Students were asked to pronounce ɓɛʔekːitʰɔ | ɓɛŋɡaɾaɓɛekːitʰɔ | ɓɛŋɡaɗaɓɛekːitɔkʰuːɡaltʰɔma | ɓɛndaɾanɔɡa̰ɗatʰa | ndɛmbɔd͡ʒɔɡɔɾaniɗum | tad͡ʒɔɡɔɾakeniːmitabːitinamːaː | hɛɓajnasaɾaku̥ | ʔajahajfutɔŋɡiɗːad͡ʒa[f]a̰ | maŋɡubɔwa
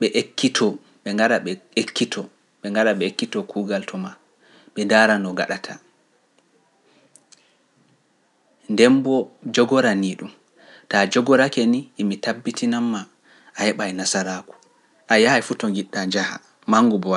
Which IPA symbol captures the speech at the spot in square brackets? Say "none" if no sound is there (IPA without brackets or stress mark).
h